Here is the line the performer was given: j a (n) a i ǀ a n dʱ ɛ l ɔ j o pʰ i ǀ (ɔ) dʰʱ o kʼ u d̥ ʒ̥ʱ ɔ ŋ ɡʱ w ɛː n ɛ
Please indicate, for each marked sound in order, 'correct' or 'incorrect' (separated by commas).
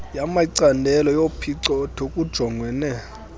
incorrect, correct